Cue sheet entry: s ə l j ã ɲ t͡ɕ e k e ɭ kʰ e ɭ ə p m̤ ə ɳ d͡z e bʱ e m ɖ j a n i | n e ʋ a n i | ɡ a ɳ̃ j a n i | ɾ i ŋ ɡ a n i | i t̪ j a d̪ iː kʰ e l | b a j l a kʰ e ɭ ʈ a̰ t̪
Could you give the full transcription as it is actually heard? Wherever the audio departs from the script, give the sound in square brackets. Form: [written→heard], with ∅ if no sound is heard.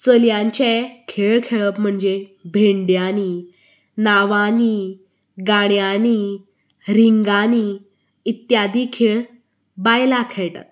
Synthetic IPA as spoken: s ə l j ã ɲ t͡ɕ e [k→kʰ] e ɭ kʰ e ɭ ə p m̤ ə ɳ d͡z e bʱ e [m→ɳ] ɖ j a n i | n [e→a] ʋ a n i | ɡ a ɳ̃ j a n i | ɾ i ŋ ɡ a n i | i t̪ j a d̪ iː kʰ e [l→ɭ] | b a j l a kʰ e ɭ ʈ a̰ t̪